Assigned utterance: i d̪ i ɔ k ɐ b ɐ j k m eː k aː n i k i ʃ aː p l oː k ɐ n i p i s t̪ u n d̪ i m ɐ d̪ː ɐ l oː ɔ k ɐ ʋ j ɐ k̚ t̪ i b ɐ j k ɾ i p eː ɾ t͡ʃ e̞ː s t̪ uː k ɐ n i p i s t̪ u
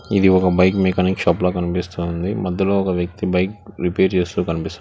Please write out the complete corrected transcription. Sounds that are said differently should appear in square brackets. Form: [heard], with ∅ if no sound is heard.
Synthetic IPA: i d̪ i ɔ k ɐ b ɐ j k m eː k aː n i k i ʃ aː p l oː k ɐ n i p i s t̪ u n d̪ i m ɐ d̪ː ɐ l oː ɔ k ɐ ʋ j ɐ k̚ t̪ i b ɐ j k ɾ i p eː ɾ t͡ʃ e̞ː s t̪ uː k ɐ n i p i s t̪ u